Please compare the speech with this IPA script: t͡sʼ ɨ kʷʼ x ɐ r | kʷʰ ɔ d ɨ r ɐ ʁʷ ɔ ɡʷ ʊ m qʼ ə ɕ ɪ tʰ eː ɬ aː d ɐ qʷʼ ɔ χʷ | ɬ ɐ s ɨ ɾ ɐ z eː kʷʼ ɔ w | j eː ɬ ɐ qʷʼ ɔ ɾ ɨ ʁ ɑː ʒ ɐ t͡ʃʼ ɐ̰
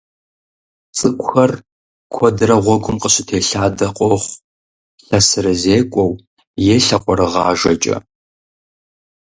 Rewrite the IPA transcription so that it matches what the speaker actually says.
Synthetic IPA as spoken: t͡sʼ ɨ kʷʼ x ɐ r | kʷʰ ɔ d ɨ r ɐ ʁʷ ɔ ɡʷ ʊ m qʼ ə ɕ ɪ tʰ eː ɬ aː d ɐ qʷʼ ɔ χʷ | ɬ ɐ s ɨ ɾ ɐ z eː kʷʼ ɔ w | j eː ɬ ɐ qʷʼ ɔ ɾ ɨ ʁ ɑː ʒ ɐ t͡ʃʼ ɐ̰

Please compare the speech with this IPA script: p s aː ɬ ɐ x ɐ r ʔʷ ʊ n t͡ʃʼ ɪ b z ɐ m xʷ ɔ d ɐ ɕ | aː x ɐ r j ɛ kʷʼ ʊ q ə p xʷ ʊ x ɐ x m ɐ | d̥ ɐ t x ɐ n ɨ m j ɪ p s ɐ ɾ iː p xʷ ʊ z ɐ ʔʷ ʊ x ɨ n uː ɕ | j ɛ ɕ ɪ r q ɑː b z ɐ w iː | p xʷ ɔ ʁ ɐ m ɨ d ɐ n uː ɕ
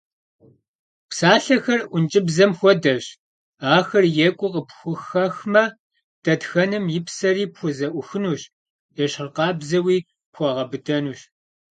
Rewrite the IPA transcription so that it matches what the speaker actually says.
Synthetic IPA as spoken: p s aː ɬ ɐ x ɐ r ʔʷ ʊ n t͡ʃʼ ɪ b z ɐ m xʷ ɔ d ɐ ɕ | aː x ɐ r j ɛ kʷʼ ʊ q ə p xʷ ʊ x ɐ x m ɐ | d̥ ɐ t x ɐ n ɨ m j ɪ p s ɐ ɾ iː p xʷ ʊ z ɐ ʔʷ ʊ x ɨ n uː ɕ | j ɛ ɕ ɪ r q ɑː b z ɐ w iː | p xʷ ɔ ʁ ɐ b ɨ d ɐ n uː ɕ

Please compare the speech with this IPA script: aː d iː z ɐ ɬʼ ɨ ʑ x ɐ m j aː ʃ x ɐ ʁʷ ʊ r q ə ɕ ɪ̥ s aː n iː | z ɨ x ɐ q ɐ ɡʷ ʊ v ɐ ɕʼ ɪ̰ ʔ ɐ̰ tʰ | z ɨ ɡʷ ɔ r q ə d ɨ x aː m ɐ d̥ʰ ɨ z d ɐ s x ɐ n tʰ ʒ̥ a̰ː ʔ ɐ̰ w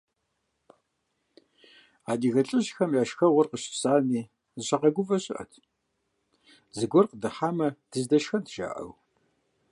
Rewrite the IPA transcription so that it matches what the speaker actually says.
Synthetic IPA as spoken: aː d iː ɣ ɐ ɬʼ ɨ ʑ x ɐ m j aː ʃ x ɐ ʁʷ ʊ r q ə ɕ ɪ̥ s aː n iː | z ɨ ɕ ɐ q ɐ ɡʷ ʊ v ɐ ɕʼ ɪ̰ ʔ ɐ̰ tʰ | z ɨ ɡʷ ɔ r q ə d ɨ ħ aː m ɐ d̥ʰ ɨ z d ɐ ʃ x ɐ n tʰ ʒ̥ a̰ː ʔ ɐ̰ w

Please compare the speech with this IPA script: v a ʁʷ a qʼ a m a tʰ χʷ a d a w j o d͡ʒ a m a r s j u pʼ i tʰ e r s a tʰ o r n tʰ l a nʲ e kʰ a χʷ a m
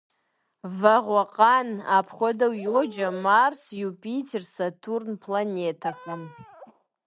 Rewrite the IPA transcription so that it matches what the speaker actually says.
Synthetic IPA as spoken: v a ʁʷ a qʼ a n a pʰ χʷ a d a w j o d͡ʒ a m a r s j u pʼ i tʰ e r s a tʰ u r n pʰ l a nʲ e tʰ a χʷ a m

